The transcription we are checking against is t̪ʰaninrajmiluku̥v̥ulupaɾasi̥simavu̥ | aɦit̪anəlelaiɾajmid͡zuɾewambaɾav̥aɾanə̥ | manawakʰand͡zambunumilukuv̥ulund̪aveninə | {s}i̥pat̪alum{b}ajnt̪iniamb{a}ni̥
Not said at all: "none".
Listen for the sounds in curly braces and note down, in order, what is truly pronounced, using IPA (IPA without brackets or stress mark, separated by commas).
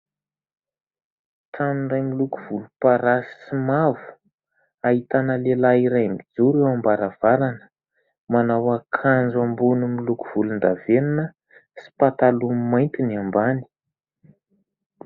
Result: s, m, a